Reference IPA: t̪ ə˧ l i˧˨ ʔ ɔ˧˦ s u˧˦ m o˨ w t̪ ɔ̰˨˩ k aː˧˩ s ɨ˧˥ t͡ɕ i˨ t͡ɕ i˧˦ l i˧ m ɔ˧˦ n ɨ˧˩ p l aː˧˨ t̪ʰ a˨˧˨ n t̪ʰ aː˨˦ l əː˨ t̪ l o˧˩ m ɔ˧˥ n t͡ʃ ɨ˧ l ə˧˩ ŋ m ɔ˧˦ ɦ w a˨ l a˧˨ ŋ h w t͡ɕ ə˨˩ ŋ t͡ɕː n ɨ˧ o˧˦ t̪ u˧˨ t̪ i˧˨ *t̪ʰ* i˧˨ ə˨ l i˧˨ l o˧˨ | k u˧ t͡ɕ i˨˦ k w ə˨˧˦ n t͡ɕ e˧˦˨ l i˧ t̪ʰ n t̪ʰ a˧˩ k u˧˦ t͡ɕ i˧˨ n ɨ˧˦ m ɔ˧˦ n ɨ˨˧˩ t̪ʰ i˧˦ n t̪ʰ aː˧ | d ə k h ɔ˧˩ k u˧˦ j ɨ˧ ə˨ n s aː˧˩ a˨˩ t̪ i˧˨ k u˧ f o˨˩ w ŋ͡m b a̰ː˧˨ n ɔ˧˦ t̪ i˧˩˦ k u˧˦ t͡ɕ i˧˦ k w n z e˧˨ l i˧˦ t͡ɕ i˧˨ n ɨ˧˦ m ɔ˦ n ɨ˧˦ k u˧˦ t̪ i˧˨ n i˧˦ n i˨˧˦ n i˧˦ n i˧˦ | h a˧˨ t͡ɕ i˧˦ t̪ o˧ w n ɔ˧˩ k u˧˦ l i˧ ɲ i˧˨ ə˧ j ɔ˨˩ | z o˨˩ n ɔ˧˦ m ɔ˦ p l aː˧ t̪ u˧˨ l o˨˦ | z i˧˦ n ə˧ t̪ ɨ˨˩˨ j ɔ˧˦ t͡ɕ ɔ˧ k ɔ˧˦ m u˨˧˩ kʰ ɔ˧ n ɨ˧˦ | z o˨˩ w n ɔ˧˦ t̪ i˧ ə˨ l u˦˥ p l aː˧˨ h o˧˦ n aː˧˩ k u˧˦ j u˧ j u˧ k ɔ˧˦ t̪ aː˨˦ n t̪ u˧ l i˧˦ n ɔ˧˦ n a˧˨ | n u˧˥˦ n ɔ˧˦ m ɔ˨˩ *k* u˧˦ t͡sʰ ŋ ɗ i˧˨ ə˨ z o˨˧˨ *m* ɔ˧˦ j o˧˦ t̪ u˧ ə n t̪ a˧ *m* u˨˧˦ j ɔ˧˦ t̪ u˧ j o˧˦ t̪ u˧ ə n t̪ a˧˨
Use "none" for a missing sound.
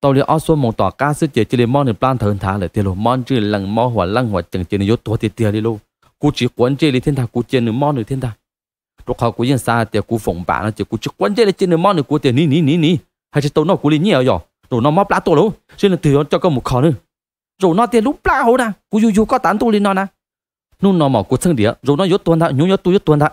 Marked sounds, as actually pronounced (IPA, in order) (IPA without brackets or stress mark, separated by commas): t̪, k, n, ɲ